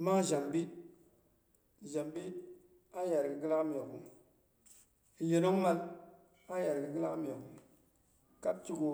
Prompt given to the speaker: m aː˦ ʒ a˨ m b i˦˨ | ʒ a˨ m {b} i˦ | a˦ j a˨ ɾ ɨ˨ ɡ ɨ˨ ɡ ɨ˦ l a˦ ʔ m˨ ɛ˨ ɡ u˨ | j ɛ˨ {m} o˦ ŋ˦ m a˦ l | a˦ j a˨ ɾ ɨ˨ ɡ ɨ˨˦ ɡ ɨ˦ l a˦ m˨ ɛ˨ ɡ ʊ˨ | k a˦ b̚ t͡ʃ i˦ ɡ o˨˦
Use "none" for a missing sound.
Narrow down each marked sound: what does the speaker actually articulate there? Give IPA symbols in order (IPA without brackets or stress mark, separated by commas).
b, n